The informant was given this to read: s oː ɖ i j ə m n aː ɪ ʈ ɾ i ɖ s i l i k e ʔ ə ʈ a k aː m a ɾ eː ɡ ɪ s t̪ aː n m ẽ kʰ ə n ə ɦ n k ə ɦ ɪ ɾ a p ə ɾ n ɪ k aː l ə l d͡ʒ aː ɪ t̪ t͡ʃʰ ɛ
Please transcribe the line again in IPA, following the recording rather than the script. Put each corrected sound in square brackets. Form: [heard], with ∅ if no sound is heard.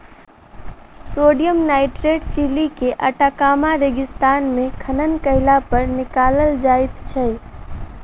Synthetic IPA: s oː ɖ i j ə m n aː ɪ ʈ ɾ [e] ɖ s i l i k e ʔ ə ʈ a k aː m a ɾ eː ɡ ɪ s t̪ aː n m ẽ kʰ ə n ə [∅] n k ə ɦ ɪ [l] a p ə ɾ n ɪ k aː l ə l d͡ʒ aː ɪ t̪ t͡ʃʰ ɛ